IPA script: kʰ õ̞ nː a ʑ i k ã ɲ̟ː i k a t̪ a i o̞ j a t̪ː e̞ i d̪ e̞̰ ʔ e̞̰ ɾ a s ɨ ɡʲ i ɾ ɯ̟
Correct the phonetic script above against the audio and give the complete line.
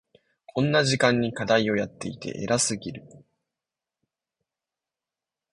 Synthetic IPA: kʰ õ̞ nː a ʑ i k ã ɲ̟ː i k a d̪ a i o̞ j a t̪ː e̞ i t̪ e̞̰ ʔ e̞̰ ɾ a s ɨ ɡʲ i ɾ ɯ̟

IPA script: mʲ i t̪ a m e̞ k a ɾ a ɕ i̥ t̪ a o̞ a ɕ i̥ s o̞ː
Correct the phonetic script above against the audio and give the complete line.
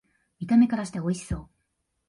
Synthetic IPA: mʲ i t̪ a m e̞ k a ɾ a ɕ i̥ t̪ e o̞ i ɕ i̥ s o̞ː

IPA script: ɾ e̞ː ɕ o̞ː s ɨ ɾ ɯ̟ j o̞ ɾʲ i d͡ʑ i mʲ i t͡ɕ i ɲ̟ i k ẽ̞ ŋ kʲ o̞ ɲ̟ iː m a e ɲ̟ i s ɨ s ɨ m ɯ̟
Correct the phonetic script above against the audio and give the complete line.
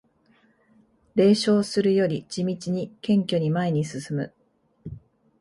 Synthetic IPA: ɾ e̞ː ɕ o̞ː s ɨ ɾ ɯ̟ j o̞ ɾʲ i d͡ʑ i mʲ i t͡ɕ i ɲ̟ i k ẽ̞ ŋ kʲ o̞ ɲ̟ i m a e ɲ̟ i s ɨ s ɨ m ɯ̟

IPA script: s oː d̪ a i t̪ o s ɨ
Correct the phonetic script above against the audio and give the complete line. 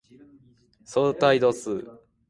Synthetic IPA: s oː t̪ a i d̪ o s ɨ

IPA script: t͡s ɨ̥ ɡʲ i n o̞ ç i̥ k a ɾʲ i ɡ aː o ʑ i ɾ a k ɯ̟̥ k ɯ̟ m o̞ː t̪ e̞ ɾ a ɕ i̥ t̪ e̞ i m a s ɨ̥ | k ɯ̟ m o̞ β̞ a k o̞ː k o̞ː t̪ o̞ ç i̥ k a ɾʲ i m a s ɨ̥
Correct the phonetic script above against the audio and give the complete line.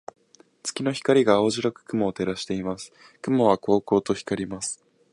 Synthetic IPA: t͡s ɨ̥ kʲ i n o̞ ç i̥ k a ɾʲ i ɡ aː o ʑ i ɾ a k ɯ̟̥ k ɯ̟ m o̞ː t̪ e̞ ɾ a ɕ i̥ t̪ e̞ i m a s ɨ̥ | k ɯ̟ m o̞ β̞ a k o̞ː k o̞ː t̪ o̞ ç i̥ k a ɾʲ i m a s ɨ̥

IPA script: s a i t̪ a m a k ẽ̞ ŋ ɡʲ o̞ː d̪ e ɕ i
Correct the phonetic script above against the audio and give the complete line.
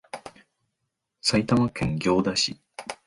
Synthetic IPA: s a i t̪ a m a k ẽ̞ ŋ ɡʲ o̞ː d̪ a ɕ i

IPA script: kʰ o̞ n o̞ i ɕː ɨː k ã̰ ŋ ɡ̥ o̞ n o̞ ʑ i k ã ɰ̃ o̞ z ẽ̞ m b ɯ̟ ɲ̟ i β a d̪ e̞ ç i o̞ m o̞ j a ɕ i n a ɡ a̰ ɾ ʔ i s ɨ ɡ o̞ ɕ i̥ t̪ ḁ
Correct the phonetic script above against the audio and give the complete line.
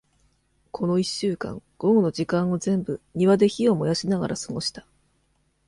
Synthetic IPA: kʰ o̞ n o̞ i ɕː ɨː k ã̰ ŋ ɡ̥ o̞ n o̞ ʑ i k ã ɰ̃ o̞ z ẽ̞ m b ɯ̟ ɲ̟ i β a d̪ e̞ ç i o̞ m o̞ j a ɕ i n a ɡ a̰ ɾ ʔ a s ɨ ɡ o̞ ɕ i̥ t̪ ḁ

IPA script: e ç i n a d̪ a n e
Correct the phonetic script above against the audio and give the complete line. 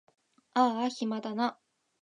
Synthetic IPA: a ç i m a d̪ a n a

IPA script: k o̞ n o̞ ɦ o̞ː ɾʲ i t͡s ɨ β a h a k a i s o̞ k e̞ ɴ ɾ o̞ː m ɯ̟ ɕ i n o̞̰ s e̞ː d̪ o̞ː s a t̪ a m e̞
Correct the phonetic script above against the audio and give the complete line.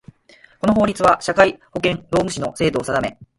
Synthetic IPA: k o̞ n o̞ ɦ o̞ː ɾʲ i t͡s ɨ β a ɕ a k a i h o̞ k ẽ̞ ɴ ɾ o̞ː m ɯ̟ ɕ i n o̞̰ s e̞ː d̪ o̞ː s a d̪ a m e̞

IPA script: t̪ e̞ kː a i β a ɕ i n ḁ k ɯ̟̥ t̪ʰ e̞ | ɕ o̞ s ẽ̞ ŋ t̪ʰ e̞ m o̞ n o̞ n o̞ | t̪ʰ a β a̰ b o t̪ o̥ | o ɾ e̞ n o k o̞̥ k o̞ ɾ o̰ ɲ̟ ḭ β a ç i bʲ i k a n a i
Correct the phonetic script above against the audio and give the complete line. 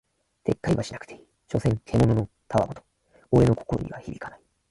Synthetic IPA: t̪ e̞ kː a i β a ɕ i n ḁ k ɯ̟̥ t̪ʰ e̞ | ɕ o̞ s ẽ̞ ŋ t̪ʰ e̞ m o̞ n o̞ n o̞ | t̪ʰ a β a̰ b o t̪ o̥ | o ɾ e̞ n o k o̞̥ k o̞ ɾ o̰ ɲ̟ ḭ β a ç i bʲ i k a n a i

